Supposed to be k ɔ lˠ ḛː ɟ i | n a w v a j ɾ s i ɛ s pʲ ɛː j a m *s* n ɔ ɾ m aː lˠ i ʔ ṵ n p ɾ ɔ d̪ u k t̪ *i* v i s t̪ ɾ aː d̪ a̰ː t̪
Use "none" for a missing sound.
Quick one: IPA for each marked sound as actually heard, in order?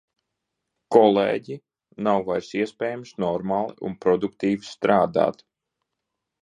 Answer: s, iː

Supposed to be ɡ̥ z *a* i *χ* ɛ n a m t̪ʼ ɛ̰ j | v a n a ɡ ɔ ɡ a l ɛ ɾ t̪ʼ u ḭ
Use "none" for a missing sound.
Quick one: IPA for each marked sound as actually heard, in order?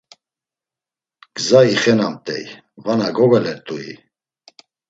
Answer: a, χ

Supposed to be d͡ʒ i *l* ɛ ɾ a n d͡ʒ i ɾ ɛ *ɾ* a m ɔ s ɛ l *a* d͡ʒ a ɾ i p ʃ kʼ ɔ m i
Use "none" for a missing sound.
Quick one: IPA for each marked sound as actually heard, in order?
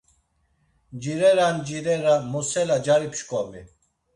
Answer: ɾ, ɾ, a

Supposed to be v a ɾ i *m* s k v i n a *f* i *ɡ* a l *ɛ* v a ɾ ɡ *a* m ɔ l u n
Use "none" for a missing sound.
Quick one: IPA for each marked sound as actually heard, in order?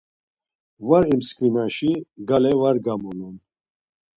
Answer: m, ʃ, ɡ, ɛ, a

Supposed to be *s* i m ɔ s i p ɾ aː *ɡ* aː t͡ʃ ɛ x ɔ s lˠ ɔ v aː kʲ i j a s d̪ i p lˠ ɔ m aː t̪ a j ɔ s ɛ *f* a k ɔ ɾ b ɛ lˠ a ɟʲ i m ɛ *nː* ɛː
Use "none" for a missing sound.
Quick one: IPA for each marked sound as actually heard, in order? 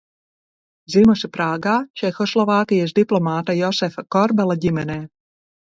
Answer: z, ɡ, f, n

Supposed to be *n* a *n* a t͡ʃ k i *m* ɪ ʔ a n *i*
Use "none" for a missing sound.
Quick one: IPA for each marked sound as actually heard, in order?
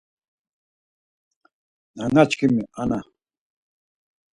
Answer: n, ŋ, m, a

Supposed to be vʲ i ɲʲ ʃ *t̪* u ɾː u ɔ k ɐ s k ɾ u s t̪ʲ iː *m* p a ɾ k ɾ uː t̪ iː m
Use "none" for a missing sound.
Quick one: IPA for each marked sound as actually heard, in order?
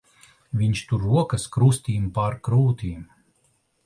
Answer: t̪, m

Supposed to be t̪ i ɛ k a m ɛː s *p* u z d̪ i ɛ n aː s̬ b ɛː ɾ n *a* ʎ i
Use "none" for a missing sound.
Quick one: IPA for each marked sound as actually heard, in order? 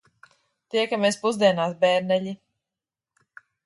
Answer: p, ɛ

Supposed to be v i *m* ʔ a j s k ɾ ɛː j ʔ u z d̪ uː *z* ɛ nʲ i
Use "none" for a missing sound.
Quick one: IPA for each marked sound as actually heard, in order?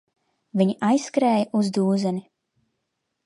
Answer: ɲ, z

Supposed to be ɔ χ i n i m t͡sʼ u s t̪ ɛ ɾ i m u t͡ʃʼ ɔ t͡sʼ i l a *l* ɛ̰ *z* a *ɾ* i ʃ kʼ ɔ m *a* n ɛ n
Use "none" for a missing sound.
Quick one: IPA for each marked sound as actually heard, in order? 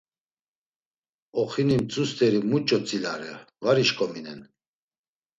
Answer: ɾ, v, ɾ, i

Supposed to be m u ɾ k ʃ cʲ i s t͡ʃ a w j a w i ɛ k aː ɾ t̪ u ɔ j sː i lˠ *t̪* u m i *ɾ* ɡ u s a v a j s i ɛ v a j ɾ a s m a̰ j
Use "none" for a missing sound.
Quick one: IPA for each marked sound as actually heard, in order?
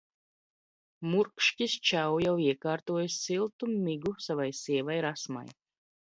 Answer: t̪, none

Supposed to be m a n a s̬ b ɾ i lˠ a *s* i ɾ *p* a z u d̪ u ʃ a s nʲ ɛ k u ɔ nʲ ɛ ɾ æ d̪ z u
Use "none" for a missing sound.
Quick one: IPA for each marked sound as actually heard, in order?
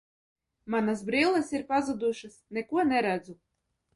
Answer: s, p

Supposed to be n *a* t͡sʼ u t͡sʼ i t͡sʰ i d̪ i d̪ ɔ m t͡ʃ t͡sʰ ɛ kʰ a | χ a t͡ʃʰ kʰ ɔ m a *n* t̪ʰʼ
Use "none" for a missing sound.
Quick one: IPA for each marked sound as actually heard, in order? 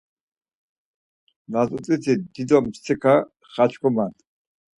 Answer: a, n

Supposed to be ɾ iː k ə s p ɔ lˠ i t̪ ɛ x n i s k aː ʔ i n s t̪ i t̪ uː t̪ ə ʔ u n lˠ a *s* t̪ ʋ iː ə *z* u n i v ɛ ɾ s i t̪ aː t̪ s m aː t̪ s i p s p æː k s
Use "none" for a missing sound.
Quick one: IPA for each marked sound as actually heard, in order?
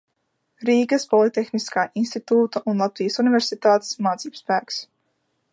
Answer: none, s

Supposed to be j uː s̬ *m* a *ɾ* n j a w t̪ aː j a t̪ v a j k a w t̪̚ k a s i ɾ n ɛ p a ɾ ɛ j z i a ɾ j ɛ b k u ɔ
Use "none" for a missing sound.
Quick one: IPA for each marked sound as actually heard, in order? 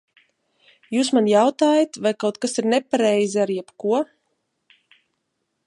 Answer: m, none

